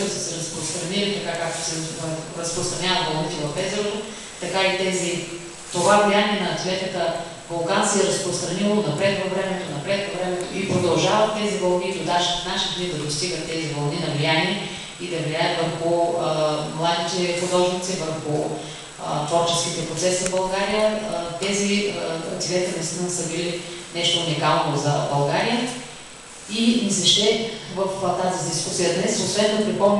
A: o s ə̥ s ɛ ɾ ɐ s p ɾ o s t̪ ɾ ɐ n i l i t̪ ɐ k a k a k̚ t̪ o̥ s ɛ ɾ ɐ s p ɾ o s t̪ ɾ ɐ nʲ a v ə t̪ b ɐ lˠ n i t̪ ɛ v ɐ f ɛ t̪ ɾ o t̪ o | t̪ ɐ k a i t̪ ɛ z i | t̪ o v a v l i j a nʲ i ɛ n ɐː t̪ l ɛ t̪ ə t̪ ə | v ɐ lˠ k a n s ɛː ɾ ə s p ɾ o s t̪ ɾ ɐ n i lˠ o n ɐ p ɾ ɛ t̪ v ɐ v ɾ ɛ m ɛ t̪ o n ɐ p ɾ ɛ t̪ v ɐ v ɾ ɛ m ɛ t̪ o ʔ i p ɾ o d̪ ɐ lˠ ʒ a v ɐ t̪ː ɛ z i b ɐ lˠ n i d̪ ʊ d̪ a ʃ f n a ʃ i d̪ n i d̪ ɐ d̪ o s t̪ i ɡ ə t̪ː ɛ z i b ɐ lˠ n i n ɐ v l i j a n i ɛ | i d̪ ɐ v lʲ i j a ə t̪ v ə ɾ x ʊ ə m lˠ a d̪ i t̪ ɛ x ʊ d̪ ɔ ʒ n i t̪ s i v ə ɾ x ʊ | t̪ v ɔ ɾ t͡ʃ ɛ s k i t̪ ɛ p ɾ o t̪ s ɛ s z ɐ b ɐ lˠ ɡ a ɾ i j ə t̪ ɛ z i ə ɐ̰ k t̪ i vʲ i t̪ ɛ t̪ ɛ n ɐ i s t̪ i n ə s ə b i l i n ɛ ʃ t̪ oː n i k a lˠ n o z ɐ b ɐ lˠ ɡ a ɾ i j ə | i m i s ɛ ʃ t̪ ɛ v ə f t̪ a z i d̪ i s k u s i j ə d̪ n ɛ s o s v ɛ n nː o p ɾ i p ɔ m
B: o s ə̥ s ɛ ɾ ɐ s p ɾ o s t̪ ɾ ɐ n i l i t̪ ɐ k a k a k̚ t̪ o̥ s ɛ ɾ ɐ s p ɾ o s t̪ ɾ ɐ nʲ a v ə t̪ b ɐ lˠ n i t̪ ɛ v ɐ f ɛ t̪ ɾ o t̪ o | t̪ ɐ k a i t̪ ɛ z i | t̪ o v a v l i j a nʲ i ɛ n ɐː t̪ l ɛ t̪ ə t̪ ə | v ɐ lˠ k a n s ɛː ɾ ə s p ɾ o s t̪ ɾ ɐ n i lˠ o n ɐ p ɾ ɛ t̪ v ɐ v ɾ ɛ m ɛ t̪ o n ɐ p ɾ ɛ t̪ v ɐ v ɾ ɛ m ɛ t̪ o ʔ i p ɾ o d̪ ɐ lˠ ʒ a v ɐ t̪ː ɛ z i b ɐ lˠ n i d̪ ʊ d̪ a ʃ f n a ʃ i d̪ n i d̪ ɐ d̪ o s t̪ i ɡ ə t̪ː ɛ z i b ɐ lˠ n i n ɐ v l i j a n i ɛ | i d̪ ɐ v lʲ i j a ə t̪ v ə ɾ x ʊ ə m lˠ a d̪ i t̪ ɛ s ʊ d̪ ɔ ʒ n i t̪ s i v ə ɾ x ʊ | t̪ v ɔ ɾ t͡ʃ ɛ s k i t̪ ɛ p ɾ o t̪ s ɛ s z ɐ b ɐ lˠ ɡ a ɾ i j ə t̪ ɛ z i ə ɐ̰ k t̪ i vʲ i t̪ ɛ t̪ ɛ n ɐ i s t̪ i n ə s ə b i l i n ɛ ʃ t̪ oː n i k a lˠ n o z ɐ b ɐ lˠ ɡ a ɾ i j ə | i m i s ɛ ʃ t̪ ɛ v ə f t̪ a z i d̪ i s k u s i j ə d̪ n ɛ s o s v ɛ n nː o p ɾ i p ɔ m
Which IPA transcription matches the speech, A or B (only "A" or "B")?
A